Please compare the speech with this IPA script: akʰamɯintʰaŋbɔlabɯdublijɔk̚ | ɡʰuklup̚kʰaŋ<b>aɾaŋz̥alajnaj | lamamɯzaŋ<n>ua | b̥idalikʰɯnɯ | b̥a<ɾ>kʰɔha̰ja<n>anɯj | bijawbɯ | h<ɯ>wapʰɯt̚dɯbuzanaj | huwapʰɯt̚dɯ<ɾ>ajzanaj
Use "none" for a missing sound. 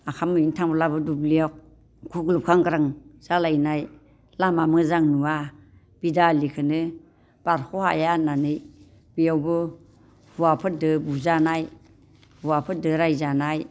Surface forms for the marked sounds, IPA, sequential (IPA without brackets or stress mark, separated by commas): ɡ, n, ɾ, n, u, ɾ